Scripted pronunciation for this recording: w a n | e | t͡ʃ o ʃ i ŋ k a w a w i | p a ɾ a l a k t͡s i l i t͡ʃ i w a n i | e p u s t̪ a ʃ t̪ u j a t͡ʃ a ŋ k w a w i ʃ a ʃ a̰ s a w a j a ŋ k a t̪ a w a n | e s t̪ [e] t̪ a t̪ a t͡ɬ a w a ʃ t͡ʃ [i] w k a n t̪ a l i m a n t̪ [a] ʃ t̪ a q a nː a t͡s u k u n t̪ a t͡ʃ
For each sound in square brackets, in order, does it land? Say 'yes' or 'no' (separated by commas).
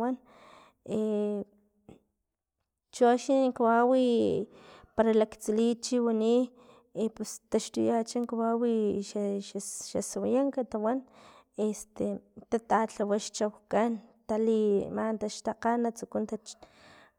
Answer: yes, no, yes